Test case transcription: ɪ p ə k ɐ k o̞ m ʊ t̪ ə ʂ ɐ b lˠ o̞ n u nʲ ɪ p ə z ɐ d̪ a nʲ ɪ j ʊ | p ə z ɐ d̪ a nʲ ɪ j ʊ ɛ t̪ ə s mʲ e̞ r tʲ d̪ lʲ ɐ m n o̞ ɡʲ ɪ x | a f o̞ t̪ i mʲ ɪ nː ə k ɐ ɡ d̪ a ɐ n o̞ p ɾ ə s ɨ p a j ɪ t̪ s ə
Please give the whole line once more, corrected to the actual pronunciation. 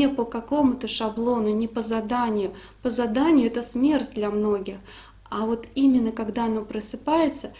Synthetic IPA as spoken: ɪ p ə k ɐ k o̞ m ʊ t̪ ə ʂ ɐ b lˠ o̞ n ʊ nʲ ɪ p ə z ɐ d̪ a nʲ ɪ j ʊ | p ə z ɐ d̪ a nʲ ɪ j ʊ ɛ t̪ ə s mʲ e̞ r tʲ d̪ lʲ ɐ m n o̞ ɡʲ ɪ x | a v o̞ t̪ i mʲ ɪ nː ə k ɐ ɡ d̪ a ɐ n o̞ p ɾ ə s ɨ p a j ɪ t̪ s ə